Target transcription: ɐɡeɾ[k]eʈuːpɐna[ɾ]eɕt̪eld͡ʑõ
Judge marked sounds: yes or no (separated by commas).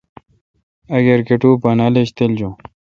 yes, no